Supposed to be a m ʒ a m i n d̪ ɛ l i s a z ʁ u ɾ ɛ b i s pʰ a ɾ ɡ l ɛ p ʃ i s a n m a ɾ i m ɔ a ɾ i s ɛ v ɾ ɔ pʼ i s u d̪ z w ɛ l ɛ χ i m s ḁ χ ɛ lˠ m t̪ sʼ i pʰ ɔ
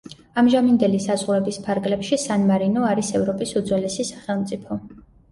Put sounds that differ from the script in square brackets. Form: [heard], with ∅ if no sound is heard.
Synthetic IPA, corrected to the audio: a m ʒ a m i n d̪ ɛ l i s a z ʁ u ɾ ɛ b i s pʰ a ɾ ɡ l ɛ p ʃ i s a n m a ɾ i [n] ɔ a ɾ i s ɛ v ɾ ɔ pʼ i s u d̪ z w ɛ l ɛ [s] i [∅] s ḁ χ ɛ lˠ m t̪ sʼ i pʰ ɔ